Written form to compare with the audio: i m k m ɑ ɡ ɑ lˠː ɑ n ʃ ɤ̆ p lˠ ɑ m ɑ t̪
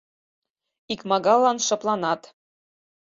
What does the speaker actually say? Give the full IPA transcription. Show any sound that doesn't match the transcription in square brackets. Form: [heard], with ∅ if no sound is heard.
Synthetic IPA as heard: i [∅] k m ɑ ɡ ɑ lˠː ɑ n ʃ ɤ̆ p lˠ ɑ [n] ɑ t̪